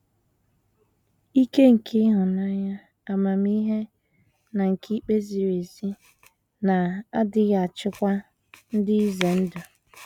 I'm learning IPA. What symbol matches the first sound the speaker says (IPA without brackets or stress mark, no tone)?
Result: i